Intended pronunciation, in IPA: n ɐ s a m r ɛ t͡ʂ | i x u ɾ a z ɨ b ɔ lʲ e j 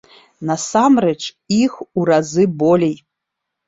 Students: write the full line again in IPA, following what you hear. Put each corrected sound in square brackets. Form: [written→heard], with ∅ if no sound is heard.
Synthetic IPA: n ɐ s a m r ɛ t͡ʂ | i x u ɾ a z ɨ b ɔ lʲ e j